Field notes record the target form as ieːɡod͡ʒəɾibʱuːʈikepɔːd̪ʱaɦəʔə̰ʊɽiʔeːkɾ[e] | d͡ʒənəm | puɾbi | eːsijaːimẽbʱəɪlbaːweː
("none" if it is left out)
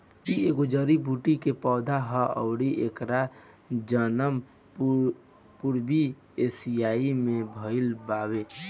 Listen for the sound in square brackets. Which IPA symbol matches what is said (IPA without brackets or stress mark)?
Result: a